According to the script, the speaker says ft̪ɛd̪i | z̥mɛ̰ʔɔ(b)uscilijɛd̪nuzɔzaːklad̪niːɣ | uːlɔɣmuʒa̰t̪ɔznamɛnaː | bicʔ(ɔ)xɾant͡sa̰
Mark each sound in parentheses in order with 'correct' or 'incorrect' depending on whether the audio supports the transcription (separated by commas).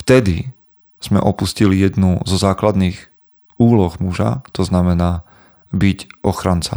incorrect, correct